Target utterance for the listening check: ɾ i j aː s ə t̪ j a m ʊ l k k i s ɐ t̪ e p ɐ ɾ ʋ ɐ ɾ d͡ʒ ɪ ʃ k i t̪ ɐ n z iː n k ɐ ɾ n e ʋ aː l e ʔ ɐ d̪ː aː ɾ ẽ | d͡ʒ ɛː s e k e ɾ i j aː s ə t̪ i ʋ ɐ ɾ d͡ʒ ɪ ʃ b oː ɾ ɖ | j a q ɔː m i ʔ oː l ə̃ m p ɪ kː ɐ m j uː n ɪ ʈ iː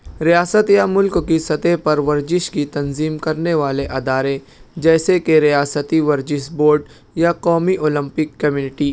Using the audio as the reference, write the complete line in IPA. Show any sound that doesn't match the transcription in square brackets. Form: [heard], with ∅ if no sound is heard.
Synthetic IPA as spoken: ɾ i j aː s ə t̪ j a m ʊ l k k i s ɐ t̪ e p ɐ ɾ ʋ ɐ ɾ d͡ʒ ɪ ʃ k i t̪ ɐ n z iː [m] k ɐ ɾ n e ʋ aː l e ʔ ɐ [d̪] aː ɾ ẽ | d͡ʒ ɛː s e k e ɾ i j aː s ə t̪ i ʋ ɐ ɾ d͡ʒ ɪ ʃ b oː ɾ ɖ | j a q ɔː m i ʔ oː l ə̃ m p ɪ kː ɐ m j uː n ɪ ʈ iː